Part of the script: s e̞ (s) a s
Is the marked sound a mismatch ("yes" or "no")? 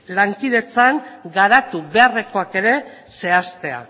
yes